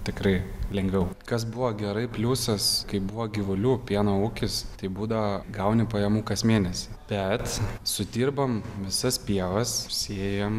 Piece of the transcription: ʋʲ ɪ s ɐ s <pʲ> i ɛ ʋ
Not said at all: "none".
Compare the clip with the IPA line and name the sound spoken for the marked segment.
pʲ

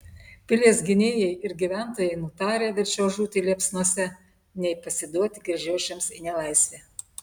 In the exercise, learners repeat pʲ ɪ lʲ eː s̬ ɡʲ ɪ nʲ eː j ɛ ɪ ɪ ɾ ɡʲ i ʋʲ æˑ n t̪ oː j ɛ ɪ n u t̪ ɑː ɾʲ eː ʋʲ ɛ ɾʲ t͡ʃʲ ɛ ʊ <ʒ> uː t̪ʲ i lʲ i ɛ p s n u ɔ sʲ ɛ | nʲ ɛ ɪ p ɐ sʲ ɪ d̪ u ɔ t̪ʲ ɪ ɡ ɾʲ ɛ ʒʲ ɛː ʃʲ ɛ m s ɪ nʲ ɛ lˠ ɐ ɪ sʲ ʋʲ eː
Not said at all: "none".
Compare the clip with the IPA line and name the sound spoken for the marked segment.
ʒ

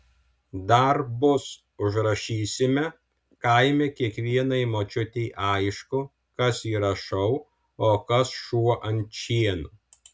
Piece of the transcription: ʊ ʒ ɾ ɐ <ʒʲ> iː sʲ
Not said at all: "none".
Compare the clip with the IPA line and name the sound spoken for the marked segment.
ʃʲ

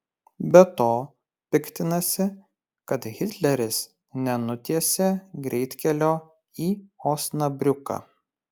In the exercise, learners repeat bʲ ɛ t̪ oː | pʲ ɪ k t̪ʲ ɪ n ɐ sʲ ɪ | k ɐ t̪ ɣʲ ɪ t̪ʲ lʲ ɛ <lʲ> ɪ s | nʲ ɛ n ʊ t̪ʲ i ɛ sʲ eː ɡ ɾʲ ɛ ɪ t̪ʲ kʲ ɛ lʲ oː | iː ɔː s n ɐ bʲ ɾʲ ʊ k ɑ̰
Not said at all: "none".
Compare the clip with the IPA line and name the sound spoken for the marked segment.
ɾʲ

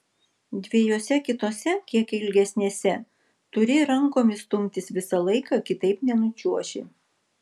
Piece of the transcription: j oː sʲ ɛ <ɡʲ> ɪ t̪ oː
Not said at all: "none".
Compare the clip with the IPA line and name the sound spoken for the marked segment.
kʲ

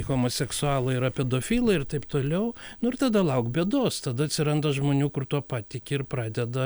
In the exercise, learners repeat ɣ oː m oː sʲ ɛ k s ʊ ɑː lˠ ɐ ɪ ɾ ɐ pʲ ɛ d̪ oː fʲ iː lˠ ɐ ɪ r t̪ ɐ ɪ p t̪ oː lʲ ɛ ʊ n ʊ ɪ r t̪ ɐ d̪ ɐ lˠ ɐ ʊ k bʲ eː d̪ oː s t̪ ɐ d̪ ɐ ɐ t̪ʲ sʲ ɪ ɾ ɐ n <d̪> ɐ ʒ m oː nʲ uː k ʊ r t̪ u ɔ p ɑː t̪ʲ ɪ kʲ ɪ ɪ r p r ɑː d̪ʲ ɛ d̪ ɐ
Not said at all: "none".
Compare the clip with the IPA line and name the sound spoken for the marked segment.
d̪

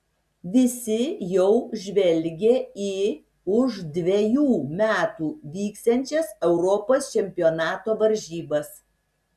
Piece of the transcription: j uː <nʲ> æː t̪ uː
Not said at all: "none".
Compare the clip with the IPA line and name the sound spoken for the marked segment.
mʲ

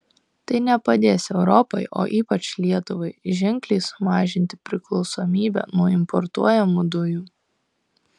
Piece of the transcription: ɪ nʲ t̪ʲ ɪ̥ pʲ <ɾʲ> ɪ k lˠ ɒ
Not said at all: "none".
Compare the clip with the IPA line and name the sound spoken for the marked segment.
ɾʲ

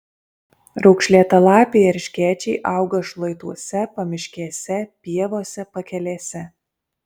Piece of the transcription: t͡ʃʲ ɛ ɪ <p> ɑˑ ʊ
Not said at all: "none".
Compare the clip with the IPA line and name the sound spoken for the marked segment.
ʔ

